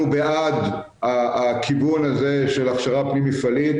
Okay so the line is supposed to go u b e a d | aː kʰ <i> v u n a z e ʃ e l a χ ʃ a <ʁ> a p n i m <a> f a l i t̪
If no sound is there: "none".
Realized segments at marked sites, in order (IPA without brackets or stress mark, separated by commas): i, ʁ, i